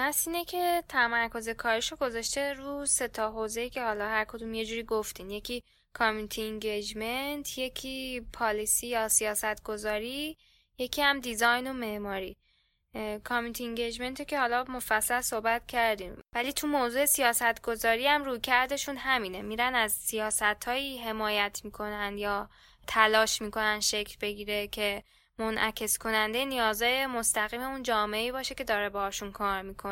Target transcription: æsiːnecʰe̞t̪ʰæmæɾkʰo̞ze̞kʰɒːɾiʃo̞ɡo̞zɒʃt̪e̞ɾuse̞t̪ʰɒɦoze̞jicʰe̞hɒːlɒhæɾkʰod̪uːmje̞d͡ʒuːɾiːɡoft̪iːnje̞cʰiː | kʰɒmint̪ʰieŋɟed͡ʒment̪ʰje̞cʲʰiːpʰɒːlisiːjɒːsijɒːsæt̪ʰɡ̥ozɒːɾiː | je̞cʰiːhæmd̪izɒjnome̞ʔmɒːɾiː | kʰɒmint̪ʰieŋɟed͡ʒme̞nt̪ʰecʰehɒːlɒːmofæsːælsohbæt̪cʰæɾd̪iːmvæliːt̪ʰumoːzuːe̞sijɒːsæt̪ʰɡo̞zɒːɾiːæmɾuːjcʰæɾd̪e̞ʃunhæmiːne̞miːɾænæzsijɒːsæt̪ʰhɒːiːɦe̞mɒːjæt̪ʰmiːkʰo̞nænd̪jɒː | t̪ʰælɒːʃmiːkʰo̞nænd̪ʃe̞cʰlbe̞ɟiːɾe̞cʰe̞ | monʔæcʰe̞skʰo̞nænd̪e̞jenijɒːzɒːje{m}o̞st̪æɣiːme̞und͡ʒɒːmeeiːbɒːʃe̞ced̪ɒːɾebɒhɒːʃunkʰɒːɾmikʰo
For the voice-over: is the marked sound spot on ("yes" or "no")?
yes